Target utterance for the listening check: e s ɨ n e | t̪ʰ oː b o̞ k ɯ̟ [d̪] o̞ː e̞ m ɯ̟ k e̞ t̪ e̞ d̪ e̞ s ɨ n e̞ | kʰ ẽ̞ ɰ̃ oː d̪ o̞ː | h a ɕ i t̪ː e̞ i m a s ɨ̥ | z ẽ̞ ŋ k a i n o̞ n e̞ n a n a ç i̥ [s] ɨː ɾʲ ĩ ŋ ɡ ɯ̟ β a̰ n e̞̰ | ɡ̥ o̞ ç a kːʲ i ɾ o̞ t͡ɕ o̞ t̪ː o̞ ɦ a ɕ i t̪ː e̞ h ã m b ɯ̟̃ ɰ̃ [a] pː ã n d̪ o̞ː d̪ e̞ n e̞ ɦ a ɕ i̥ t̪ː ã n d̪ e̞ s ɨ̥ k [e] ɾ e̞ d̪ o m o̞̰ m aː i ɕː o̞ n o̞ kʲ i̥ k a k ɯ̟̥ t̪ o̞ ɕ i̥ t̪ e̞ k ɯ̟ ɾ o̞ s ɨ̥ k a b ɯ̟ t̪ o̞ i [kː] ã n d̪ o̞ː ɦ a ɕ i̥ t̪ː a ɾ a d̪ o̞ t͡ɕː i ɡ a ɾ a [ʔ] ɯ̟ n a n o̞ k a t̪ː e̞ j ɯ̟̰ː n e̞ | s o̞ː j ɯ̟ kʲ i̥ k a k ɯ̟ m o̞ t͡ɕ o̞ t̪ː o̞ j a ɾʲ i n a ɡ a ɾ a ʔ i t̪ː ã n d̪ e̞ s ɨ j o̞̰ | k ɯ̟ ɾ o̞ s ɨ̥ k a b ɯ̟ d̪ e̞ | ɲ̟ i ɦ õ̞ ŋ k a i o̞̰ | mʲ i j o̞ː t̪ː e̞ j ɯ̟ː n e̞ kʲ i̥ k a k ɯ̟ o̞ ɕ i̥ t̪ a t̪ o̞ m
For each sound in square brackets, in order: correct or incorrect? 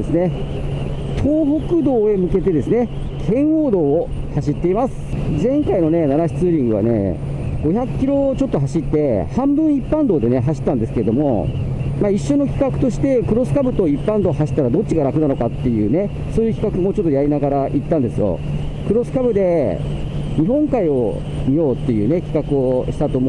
correct, incorrect: t͡s, incorrect: i, correct, incorrect: pː, incorrect: k

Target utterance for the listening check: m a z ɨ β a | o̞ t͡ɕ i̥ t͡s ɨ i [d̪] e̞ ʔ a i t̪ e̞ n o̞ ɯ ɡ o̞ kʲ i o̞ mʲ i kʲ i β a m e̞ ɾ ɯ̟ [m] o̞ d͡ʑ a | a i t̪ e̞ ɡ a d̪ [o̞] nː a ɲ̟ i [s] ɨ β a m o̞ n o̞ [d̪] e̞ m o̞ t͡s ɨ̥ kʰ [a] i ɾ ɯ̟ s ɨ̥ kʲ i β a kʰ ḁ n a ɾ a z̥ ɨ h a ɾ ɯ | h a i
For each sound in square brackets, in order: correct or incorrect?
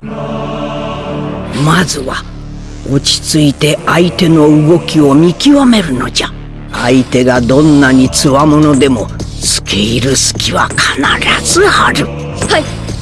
incorrect: t̪, incorrect: n, incorrect: õ̞, incorrect: t͡s, correct, incorrect: e

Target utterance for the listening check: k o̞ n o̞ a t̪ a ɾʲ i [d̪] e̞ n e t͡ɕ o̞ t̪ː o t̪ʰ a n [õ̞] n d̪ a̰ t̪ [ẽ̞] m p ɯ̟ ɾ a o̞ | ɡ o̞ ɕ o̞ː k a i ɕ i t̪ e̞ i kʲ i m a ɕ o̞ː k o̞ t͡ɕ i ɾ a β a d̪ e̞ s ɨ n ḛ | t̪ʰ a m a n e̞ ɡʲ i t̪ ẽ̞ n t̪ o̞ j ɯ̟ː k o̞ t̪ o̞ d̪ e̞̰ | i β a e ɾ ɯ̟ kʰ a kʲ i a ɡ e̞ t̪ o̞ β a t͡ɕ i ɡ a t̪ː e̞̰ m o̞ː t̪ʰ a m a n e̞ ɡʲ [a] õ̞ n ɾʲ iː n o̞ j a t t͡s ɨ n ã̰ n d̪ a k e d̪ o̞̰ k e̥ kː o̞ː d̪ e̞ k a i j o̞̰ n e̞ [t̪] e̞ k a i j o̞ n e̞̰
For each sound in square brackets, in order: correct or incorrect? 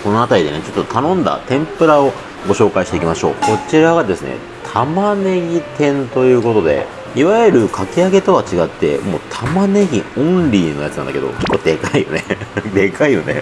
correct, correct, correct, incorrect: i, incorrect: d̪

